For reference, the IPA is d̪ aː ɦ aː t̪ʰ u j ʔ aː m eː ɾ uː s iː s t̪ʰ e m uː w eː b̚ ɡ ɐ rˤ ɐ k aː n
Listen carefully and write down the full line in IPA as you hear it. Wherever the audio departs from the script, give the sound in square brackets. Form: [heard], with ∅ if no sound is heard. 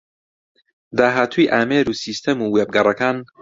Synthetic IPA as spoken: d̪ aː ɦ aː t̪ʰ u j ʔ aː m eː ɾ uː s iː s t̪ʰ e m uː w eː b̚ ɡ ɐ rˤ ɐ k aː n